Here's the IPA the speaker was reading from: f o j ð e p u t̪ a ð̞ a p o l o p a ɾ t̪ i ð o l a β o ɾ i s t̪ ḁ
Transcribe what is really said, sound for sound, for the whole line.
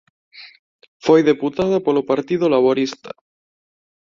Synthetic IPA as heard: f o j ð e p u t̪ a ð̞ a p o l o p a ɾ t̪ i ð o l a β o ɾ i s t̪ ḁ